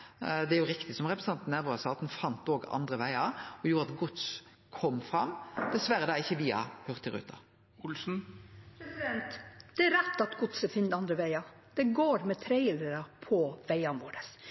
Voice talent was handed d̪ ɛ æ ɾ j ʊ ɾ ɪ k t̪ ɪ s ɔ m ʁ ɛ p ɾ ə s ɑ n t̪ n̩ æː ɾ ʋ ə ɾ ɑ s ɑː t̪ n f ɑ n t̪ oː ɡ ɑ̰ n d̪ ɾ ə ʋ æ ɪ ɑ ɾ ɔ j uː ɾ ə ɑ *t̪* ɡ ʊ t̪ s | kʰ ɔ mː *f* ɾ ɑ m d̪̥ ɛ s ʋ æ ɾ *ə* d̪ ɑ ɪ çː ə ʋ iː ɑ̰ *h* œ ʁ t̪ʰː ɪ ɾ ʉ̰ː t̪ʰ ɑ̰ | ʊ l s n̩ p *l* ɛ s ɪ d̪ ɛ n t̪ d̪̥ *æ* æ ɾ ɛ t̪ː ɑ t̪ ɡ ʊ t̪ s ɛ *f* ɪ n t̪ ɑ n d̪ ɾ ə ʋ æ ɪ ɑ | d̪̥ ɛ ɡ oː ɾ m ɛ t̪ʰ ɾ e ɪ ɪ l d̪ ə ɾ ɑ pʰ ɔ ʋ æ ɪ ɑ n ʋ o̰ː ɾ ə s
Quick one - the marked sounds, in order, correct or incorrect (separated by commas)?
correct, correct, correct, correct, incorrect, incorrect, correct